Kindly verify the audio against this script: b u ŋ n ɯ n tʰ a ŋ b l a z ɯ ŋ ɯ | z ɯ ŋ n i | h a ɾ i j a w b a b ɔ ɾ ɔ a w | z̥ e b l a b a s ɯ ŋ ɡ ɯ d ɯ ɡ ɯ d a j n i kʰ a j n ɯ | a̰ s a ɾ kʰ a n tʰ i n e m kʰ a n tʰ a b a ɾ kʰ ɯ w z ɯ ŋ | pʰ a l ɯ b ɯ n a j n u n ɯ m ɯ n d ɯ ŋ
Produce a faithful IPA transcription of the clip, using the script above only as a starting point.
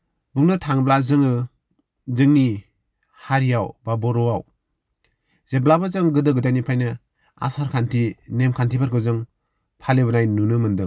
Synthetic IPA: b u ŋ n ɯ tʰ a ŋ b l a z ɯ ŋ ɯ | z ɯ ŋ n i | h a ɾ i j a w b a b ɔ ɾ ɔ a w | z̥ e b l a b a z ɯ ŋ ɡ ɯ d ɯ ɡ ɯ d a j n i pʰ a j n ɯ | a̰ s a ɾ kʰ a n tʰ i n e m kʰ a n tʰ i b a ɾ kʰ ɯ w z ɯ ŋ | pʰ a l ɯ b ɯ n a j n u n ɯ m ɯ n d ɯ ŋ